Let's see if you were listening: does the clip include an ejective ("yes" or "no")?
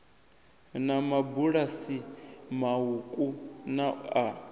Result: yes